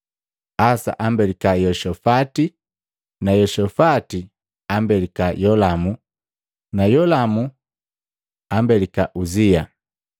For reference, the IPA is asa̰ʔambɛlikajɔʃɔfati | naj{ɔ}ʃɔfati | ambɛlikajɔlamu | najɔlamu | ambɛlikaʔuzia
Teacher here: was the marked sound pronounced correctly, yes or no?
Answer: yes